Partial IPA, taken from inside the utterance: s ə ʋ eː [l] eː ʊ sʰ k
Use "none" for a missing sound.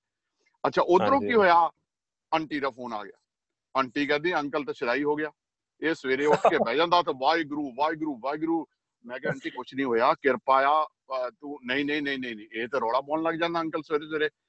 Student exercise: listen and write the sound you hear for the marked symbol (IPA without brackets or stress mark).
ɾ